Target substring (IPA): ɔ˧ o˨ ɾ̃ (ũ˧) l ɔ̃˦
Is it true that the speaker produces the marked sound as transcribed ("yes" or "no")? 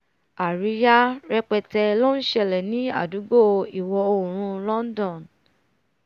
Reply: yes